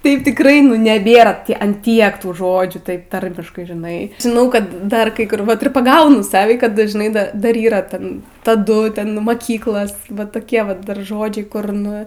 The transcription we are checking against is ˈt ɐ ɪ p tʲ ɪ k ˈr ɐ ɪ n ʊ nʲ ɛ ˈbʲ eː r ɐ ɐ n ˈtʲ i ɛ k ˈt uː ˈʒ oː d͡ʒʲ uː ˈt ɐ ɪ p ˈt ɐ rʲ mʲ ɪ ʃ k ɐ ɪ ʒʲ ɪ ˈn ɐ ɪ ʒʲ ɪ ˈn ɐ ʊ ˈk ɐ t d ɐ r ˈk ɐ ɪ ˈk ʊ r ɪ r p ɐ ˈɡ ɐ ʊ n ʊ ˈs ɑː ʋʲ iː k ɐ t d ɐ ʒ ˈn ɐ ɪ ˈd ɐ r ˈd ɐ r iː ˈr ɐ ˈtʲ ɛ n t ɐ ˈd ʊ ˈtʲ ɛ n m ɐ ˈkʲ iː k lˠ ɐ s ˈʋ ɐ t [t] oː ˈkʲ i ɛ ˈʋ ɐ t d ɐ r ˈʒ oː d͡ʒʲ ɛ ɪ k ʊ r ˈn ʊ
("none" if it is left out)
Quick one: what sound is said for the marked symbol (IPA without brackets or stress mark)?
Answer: t